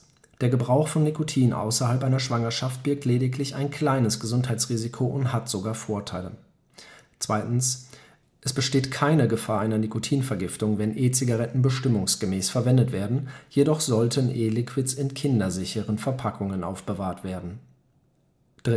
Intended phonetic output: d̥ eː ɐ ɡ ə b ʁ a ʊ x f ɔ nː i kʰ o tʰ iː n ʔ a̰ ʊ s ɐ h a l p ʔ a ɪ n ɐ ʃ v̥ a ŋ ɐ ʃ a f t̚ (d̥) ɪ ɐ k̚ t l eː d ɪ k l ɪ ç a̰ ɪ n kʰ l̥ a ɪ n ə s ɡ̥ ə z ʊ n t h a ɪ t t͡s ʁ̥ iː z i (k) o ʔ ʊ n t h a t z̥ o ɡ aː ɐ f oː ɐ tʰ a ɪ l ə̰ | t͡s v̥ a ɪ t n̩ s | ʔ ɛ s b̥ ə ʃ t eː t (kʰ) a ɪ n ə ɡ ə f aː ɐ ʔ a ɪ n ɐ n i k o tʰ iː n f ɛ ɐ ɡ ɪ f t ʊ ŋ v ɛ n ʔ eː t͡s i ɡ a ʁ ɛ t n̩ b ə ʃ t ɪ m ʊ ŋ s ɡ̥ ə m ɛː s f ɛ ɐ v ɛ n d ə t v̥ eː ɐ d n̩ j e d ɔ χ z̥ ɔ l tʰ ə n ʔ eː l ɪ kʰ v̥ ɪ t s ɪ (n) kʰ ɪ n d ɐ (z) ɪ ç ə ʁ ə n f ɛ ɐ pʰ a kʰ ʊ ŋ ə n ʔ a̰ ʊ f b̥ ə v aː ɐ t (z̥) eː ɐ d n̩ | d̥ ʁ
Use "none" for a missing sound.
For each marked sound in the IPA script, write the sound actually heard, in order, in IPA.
b̥, kʰ, kʰ, n, z, v̥

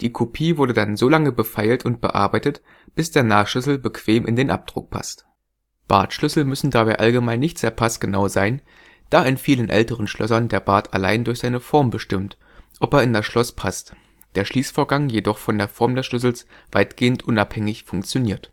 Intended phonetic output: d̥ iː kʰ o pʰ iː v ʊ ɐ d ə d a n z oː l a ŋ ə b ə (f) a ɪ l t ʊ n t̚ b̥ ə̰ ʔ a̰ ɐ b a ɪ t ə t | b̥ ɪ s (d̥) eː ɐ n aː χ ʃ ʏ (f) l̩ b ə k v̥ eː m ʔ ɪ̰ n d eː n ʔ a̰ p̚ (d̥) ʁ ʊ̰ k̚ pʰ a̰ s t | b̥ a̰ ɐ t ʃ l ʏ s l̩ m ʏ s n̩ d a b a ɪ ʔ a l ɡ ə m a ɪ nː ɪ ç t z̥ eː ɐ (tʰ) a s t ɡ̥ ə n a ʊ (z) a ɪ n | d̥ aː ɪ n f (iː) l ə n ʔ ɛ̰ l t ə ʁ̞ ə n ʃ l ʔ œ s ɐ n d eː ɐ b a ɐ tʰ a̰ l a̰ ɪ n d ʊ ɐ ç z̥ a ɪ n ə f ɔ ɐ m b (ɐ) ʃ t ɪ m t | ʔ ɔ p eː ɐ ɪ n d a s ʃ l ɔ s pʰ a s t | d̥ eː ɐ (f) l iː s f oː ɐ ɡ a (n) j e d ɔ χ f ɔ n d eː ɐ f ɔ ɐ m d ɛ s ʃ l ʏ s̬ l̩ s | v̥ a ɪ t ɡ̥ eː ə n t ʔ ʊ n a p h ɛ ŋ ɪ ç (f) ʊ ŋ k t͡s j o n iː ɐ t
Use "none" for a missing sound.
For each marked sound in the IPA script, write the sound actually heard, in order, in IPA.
f, d̥, s, d̥, pʰ, z, iː, ə, ʃ, ŋ, f

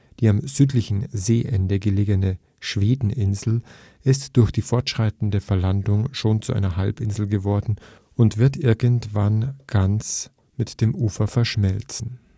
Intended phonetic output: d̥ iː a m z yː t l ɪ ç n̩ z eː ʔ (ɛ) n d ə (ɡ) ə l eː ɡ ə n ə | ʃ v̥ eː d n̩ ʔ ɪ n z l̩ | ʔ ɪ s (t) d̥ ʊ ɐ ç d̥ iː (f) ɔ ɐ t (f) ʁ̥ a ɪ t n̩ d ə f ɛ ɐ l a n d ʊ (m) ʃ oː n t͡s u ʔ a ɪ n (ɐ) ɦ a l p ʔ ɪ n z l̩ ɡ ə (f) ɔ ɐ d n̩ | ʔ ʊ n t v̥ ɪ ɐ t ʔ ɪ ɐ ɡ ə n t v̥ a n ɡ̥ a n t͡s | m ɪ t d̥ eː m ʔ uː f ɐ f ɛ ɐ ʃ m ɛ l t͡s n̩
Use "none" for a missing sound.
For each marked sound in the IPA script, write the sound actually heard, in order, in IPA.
ɛ, ɡ, t, f, ʃ, ŋ, ɐ, v

